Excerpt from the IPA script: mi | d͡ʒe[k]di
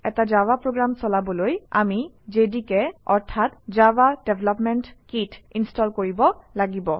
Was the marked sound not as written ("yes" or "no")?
yes